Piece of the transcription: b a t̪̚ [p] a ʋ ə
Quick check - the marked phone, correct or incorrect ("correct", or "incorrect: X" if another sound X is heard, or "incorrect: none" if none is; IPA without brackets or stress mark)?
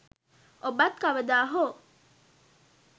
incorrect: k